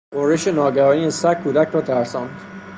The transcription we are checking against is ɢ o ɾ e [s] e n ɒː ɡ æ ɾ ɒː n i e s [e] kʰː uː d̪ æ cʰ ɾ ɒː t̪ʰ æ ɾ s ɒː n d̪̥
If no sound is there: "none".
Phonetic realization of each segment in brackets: ʃ, æ

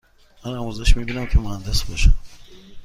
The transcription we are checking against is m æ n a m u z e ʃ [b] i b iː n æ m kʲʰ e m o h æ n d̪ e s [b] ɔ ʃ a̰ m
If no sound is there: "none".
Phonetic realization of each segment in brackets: m, b

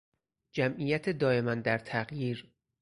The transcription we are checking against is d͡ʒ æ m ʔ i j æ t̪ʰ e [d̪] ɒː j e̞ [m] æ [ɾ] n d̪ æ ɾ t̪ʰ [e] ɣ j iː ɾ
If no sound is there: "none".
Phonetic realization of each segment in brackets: d̪, m, none, æ

